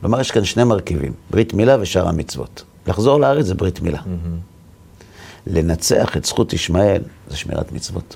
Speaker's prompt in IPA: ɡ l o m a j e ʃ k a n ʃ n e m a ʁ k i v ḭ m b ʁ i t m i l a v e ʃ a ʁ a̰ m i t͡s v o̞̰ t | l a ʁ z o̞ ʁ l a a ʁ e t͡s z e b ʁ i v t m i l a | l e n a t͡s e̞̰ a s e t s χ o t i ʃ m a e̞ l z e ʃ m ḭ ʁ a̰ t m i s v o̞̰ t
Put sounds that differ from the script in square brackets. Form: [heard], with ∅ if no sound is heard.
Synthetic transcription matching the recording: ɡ l o m a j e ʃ k a n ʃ n e m a ʁ k i v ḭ m b ʁ i t m i l a v e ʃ a ʁ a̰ m i t͡s v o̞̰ t | l a [χ] z o̞ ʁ l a a ʁ e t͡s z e b ʁ i [∅] t m i l a | l e n a t͡s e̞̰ a [χ] e t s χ [u] t i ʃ m a e̞ l z e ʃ m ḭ ʁ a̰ t m i [t͡s] v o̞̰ t